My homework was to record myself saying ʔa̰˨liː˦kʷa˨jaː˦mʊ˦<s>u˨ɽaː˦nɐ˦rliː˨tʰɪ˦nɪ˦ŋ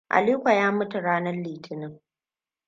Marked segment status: incorrect: t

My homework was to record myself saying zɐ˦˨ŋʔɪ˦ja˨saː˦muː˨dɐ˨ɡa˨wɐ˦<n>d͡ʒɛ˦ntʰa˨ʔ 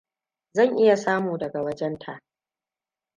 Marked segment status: incorrect: none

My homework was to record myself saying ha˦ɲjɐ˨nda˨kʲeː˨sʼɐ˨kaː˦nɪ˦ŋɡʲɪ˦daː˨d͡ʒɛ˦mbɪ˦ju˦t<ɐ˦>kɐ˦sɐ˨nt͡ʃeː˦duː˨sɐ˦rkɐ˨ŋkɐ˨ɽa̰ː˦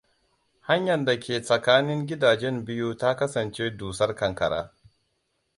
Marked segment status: incorrect: a˦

